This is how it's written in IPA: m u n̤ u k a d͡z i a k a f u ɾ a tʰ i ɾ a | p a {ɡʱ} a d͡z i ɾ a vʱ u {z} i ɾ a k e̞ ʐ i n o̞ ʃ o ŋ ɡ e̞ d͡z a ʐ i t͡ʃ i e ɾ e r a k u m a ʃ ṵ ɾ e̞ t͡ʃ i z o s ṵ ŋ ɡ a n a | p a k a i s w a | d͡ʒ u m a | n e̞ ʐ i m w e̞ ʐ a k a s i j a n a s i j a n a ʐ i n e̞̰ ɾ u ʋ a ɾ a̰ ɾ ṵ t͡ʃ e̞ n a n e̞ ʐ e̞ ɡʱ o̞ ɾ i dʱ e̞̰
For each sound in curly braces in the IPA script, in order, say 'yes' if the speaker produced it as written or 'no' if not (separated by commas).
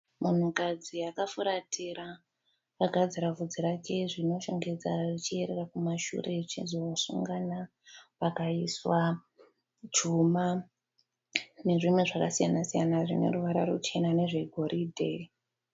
yes, no